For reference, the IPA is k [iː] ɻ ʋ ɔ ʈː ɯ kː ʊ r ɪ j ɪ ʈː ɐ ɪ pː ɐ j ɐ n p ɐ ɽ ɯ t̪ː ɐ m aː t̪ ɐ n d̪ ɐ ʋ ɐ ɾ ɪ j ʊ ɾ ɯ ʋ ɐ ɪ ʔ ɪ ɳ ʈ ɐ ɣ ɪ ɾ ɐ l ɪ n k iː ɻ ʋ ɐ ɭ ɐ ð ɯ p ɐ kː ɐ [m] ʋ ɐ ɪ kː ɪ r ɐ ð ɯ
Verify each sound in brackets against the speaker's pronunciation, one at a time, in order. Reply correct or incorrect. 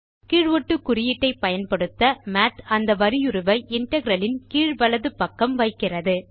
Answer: correct, correct

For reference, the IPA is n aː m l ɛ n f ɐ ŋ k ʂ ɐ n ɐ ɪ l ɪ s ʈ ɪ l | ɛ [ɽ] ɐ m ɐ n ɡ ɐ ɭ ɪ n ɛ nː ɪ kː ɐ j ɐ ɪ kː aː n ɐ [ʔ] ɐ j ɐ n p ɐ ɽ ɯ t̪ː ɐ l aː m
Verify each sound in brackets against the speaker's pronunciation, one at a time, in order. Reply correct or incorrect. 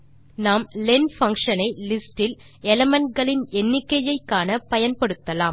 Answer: incorrect: l, incorrect: p

